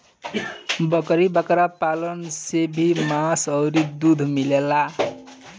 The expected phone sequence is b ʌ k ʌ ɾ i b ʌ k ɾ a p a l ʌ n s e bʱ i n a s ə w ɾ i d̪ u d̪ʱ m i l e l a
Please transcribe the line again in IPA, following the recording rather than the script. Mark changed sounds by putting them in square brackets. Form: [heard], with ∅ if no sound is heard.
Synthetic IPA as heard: b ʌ k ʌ ɾ i b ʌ k ɾ a p a l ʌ n s e bʱ i [m] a s [ʌ] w ɾ i d̪ u d̪ʱ m i l e l a